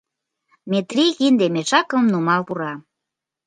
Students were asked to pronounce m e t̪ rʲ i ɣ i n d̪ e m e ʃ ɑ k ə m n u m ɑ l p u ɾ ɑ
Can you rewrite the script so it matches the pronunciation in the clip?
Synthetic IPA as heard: m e t̪ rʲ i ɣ i n d̪ e m e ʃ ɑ k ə m n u m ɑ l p u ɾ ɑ